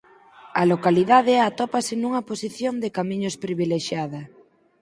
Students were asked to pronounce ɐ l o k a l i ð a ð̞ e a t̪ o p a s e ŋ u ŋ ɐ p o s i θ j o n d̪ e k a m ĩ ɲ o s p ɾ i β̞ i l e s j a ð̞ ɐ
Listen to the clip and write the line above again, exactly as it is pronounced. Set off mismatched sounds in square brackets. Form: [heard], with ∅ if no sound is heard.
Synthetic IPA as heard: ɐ l o k a l i ð a ð̞ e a t̪ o p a s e [n] u ŋ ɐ p o s i θ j o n d̪ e k a m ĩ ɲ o s p ɾ i β̞ i l e [ʃ] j a ð̞ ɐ